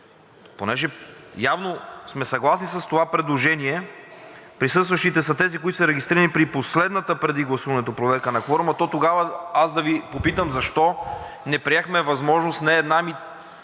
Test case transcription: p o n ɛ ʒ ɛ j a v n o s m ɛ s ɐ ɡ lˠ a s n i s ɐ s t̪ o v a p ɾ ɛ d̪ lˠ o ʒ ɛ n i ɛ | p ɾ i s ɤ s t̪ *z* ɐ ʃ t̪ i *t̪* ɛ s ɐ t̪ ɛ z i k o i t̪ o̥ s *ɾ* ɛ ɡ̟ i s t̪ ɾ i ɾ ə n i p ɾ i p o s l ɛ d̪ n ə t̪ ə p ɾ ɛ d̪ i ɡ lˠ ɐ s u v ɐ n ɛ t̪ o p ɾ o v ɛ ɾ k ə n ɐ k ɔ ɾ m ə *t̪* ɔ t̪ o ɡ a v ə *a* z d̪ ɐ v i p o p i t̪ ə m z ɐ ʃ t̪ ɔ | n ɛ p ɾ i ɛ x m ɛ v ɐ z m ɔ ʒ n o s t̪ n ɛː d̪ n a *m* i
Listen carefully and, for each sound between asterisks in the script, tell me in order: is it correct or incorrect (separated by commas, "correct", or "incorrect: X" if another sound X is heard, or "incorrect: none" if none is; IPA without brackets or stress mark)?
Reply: incorrect: v, correct, correct, correct, correct, correct